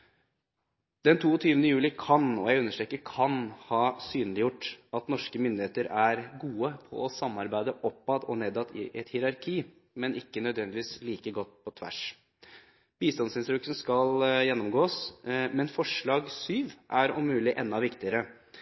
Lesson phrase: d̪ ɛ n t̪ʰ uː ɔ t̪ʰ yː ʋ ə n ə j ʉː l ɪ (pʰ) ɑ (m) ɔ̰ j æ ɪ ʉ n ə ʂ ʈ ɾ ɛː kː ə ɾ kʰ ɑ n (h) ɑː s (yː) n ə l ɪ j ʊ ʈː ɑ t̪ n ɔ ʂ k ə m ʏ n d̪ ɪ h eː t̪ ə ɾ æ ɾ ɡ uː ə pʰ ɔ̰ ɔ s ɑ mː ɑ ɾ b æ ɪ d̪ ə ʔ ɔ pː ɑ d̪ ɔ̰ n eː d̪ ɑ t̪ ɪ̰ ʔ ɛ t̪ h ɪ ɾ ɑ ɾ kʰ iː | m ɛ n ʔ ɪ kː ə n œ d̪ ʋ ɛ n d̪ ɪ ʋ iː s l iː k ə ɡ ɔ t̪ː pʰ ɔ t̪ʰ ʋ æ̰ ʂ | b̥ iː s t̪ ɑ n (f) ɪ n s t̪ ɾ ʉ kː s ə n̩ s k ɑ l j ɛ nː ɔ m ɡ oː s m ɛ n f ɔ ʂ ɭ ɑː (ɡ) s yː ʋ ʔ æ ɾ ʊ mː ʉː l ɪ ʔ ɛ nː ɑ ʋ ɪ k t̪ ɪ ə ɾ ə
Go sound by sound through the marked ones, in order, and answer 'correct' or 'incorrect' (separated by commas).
incorrect, incorrect, correct, correct, incorrect, correct